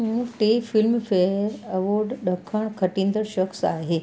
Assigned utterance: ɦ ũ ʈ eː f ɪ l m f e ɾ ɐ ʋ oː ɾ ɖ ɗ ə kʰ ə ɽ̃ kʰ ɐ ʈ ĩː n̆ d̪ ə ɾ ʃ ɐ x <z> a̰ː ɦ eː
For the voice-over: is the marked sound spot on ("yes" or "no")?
no